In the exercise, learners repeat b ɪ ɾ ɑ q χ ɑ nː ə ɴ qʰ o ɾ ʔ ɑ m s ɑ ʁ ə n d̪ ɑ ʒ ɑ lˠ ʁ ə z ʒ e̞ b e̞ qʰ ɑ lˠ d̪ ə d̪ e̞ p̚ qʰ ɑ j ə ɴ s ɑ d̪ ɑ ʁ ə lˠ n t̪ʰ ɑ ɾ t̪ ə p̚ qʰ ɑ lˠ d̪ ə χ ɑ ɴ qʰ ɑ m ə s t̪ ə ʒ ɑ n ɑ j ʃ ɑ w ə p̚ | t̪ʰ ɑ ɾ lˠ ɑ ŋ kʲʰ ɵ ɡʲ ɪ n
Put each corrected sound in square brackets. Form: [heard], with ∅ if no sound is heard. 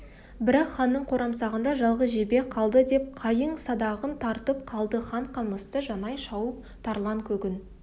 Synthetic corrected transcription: b ɪ ɾ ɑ q χ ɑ nː ə ɴ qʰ o ɾ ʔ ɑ m s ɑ ʁ ə n d̪ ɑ ʒ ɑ lˠ ʁ ə z ʒ e̞ b e̞ qʰ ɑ lˠ d̪ ə d̪ e̞ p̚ qʰ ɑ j ə ɴ s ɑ d̪ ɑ ʁ ə [∅] n t̪ʰ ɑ ɾ t̪ ə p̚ qʰ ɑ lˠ d̪ ə χ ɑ ɴ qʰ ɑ m ə s t̪ ə ʒ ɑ n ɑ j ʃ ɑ w ə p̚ | t̪ʰ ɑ ɾ lˠ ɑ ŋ kʲʰ ɵ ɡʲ ɪ n